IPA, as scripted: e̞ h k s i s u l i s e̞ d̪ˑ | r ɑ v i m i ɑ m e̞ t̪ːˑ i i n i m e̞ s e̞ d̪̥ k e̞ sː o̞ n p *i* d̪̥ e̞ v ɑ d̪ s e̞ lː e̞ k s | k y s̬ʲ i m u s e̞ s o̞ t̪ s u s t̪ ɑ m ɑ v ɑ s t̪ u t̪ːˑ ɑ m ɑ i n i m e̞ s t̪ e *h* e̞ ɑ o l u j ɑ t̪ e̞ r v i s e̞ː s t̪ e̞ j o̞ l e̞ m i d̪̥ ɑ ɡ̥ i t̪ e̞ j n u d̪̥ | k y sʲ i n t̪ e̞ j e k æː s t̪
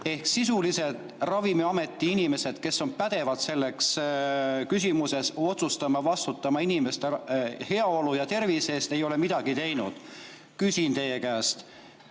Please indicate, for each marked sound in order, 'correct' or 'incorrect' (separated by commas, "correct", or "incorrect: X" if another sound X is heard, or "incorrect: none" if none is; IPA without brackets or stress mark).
incorrect: æ, correct